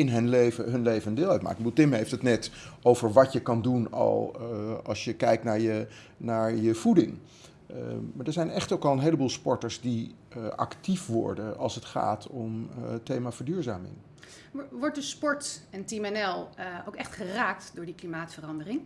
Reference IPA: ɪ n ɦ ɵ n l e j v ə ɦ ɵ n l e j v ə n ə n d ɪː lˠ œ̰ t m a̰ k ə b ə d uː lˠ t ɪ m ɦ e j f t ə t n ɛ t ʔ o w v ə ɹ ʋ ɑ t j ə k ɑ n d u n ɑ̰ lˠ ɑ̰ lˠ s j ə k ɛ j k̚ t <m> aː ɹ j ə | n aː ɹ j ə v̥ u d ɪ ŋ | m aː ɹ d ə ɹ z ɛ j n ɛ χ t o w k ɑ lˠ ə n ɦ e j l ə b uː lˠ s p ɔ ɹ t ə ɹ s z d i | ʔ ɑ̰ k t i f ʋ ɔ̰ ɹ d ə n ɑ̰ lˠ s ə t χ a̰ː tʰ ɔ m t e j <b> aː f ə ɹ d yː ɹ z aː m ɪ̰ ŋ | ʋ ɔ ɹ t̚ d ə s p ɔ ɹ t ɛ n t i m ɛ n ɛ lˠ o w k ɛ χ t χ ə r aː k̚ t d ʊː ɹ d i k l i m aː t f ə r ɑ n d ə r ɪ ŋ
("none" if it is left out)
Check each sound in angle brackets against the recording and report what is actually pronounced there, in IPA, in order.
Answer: n, m

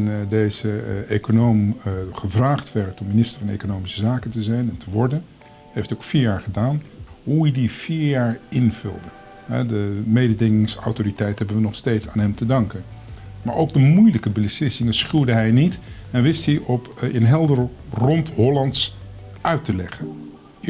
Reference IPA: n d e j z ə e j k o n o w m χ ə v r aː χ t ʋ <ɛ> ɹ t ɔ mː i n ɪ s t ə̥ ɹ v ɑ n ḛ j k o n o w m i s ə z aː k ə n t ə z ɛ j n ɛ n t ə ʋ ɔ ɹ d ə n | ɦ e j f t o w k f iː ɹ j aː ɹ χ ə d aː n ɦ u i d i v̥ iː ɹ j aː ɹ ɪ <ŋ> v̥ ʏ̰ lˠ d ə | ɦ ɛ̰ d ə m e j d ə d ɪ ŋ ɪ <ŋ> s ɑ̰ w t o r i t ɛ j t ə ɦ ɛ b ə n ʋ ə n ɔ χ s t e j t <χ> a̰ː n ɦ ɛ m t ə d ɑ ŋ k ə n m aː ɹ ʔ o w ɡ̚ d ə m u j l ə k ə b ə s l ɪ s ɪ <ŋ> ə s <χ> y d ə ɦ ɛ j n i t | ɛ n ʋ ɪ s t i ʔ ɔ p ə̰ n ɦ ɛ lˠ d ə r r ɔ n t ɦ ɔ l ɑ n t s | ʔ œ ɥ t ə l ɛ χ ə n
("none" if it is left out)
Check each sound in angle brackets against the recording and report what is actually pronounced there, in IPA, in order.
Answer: ɛ, n, ŋ, s, ŋ, χ

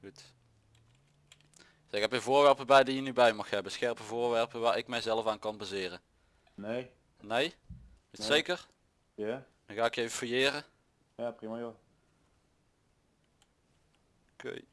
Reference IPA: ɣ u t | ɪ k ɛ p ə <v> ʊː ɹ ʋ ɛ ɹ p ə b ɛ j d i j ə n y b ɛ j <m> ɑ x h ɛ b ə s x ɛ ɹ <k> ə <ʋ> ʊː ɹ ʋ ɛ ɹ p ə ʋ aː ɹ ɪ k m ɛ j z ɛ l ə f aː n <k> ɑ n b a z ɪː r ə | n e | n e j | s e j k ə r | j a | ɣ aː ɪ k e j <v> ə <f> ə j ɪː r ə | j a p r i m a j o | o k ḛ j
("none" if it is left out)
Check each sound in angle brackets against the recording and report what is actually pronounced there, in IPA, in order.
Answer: v, m, p, v, k, v, f

